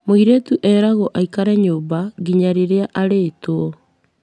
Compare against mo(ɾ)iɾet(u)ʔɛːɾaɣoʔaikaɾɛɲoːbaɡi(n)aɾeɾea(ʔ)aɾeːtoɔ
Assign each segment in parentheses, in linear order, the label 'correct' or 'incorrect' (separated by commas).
incorrect, correct, incorrect, correct